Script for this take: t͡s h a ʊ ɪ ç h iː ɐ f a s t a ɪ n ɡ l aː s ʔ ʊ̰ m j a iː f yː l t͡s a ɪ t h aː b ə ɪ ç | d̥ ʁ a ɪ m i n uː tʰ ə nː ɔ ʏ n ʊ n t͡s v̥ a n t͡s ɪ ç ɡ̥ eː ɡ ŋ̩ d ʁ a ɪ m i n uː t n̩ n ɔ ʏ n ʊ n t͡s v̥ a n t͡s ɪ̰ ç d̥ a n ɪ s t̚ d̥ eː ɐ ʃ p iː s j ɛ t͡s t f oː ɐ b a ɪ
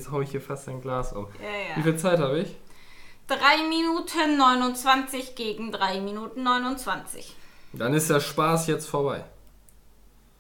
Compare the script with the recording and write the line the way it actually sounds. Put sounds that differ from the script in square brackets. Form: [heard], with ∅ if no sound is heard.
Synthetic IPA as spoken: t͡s h a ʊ ɪ ç h iː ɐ f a s t a ɪ n ɡ l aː s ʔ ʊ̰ m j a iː f [iː] l t͡s a ɪ t h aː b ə ɪ ç | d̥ ʁ a ɪ m i n uː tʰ ə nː ɔ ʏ n ʊ n t͡s v̥ a n t͡s ɪ ç ɡ̥ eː ɡ ŋ̩ d ʁ a ɪ m i n uː t n̩ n ɔ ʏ n ʊ n t͡s v̥ a n t͡s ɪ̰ ç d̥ a n ɪ s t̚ d̥ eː ɐ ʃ p [aː] s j ɛ t͡s t f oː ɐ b a ɪ